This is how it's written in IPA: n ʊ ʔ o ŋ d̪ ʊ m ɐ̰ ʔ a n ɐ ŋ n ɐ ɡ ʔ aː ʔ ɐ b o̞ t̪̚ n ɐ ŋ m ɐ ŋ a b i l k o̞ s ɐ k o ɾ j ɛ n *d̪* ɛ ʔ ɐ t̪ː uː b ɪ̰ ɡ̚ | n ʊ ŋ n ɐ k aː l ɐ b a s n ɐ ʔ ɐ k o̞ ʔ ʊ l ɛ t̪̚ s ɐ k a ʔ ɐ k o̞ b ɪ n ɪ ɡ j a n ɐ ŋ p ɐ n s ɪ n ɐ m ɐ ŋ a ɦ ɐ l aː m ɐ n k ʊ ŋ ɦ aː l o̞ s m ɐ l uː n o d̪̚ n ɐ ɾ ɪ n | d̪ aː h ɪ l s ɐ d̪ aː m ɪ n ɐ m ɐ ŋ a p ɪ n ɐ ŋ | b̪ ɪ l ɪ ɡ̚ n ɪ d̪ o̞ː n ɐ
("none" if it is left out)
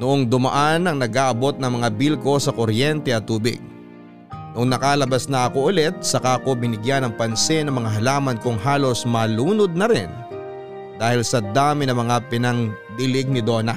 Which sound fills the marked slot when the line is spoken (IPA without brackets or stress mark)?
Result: t̪